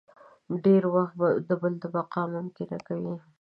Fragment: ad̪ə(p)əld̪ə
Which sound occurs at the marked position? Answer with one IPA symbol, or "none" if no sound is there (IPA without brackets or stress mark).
b